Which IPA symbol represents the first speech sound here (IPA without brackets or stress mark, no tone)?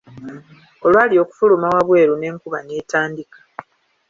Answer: o̞